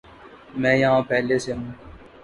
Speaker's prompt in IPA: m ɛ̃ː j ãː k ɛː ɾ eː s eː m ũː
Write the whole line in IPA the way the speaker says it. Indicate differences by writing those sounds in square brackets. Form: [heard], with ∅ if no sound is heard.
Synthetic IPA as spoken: m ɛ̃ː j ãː [p] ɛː [l] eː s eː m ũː